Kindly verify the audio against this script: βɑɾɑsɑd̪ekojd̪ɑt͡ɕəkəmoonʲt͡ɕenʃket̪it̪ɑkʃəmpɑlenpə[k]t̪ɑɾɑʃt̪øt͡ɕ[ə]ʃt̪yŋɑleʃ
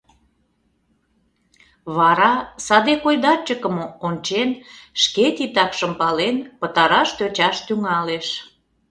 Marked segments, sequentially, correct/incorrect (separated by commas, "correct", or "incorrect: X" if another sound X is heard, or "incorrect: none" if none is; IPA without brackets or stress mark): incorrect: none, incorrect: ɑ